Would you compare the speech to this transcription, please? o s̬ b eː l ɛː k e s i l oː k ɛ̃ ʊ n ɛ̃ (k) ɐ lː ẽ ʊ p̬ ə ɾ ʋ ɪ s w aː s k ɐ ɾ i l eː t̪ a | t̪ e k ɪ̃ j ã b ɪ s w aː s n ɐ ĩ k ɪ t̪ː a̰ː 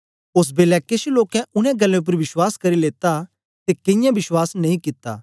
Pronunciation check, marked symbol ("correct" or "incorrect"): incorrect